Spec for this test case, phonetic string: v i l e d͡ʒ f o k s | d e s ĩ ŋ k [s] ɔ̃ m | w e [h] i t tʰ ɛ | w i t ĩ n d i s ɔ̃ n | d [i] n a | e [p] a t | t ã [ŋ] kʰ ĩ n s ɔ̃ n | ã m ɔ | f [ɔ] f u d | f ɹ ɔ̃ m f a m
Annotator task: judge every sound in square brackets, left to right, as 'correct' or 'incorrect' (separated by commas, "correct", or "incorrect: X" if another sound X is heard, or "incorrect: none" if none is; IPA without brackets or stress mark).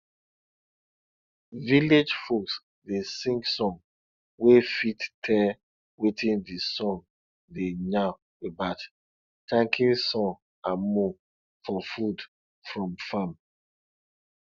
correct, incorrect: f, incorrect: e, incorrect: b, correct, correct